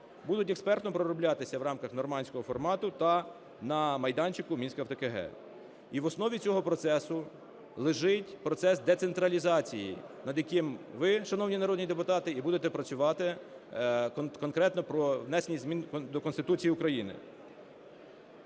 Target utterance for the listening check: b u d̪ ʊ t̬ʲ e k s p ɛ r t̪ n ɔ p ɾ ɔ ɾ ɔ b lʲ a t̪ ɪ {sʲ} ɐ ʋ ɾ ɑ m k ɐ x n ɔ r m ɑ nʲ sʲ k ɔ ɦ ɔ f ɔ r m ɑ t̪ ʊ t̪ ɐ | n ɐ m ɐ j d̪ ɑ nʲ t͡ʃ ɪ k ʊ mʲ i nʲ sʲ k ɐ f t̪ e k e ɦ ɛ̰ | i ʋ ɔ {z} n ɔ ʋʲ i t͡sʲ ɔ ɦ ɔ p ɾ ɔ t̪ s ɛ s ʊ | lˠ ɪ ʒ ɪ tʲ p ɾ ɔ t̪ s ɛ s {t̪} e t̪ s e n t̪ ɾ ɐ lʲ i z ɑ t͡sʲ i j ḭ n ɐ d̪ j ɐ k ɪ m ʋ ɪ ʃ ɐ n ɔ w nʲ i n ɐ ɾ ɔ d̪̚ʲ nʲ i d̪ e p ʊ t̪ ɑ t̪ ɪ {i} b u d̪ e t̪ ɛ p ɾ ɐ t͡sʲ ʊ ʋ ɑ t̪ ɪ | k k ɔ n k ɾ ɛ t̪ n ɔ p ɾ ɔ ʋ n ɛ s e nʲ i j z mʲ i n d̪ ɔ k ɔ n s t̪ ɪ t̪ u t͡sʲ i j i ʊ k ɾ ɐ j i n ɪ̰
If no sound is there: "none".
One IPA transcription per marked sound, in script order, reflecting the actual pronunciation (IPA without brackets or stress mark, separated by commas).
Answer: sʲ, s, d̪, i